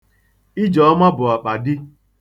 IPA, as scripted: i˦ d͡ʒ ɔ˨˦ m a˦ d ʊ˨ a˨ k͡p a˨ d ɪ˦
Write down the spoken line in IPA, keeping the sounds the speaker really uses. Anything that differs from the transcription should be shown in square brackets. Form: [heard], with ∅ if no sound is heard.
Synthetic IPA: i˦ d͡ʒ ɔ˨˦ m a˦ [b] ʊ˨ a˨ k͡p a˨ d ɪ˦

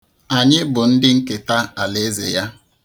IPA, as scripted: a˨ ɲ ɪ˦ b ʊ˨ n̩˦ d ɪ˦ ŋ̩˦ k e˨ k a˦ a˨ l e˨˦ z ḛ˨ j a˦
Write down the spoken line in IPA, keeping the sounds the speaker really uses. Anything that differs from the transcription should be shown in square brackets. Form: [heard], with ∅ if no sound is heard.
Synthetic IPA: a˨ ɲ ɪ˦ b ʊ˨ n̩˦ d ɪ˦ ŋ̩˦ k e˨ [t] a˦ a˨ l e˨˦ z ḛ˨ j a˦

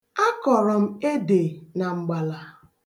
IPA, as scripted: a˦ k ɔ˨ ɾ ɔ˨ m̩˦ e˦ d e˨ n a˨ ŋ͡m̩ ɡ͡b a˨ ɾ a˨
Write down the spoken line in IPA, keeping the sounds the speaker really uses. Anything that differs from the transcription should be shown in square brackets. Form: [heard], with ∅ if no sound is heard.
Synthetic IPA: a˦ k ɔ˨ ɾ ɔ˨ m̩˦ e˦ d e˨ n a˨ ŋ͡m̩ ɡ͡b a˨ [l] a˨

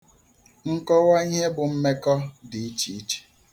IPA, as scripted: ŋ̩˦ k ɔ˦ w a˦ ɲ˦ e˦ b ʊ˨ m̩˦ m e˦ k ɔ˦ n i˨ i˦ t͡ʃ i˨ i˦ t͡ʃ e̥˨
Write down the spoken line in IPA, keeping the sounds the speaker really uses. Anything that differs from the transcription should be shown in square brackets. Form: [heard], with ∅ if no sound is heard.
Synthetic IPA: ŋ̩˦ k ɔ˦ w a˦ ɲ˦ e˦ b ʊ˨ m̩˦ m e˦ k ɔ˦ [d] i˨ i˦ t͡ʃ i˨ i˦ t͡ʃ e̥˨

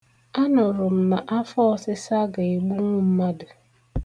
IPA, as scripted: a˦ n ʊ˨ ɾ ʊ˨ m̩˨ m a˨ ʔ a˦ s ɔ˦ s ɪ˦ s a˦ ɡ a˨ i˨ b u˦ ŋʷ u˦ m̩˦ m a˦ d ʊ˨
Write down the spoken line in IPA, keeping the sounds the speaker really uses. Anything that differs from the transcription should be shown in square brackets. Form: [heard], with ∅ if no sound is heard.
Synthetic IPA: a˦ n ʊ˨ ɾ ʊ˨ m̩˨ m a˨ ʔ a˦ [f] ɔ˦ s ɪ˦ s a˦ ɡ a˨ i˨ [ɡ͡b] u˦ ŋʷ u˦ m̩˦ m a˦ d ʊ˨

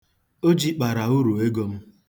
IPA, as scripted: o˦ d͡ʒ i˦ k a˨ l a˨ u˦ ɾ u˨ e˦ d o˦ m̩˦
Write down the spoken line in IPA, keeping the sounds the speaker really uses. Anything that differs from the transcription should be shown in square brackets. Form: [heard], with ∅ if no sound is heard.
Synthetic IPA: o˦ d͡ʒ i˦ [k͡p] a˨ [ɾ] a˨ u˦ ɾ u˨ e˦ [ɡ] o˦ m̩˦

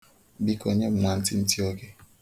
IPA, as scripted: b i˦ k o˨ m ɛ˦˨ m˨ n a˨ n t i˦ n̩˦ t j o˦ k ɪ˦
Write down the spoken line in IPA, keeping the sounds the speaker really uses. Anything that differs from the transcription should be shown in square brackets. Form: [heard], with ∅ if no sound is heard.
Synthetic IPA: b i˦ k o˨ [ɲ] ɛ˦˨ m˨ n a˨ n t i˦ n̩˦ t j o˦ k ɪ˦

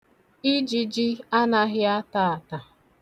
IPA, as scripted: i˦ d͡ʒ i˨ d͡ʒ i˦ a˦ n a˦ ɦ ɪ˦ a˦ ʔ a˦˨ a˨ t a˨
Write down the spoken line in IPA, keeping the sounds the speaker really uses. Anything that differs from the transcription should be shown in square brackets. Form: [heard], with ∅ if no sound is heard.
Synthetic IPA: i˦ d͡ʒ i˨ d͡ʒ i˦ a˦ n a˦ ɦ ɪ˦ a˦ [t] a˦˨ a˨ t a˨

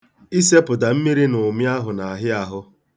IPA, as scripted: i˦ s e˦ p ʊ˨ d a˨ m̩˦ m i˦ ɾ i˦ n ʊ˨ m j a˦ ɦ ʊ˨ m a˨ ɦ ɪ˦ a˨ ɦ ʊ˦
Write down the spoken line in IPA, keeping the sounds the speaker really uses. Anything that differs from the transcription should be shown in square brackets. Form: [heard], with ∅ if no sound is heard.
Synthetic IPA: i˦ s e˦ p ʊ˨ d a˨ m̩˦ m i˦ ɾ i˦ n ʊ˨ m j a˦ ɦ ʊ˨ [n] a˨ ɦ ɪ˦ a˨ ɦ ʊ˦

